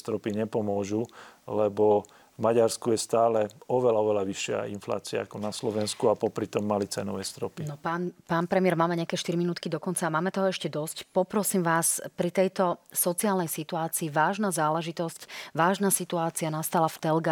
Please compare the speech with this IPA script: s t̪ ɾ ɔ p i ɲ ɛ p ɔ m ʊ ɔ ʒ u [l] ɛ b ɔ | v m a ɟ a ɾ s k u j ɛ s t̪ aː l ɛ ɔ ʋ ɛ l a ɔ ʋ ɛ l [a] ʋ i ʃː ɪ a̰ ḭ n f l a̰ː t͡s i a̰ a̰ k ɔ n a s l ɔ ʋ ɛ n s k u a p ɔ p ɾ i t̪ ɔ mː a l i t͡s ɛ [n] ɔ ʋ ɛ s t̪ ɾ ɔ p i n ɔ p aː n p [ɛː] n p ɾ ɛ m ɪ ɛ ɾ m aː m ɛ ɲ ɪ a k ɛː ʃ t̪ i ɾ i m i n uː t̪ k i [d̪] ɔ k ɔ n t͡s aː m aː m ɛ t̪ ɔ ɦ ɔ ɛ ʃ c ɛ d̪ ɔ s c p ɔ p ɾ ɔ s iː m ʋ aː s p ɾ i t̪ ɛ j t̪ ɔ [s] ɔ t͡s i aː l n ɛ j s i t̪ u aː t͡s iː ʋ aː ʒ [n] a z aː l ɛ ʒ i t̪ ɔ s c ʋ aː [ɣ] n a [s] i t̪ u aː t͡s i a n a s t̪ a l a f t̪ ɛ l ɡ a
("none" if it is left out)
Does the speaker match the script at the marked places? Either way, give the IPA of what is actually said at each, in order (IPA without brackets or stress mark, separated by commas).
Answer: l, a, n, aː, d̪, s, n, ʒ, s